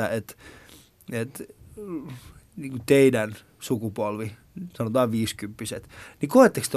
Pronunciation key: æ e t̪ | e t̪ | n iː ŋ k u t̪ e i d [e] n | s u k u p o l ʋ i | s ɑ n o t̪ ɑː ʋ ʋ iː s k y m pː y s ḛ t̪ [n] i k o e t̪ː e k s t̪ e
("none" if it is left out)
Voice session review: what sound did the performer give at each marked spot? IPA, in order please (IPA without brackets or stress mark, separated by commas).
æ, n